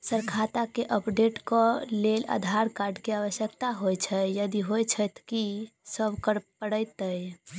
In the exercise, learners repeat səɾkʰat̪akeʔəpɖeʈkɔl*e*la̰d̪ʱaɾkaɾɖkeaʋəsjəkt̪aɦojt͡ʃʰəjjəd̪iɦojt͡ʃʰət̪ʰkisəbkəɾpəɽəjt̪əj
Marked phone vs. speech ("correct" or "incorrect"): correct